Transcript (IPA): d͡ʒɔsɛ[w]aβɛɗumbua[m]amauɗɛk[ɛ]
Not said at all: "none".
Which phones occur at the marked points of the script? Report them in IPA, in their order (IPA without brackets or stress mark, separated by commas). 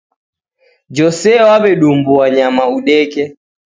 w, ɲ, ɛ